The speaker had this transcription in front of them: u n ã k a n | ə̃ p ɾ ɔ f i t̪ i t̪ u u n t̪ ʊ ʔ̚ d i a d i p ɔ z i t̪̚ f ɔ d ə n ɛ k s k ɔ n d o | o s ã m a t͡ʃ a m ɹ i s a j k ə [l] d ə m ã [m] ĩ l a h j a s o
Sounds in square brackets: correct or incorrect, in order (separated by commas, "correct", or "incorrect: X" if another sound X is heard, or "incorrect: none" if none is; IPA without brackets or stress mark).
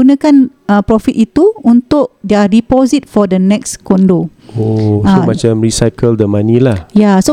correct, incorrect: n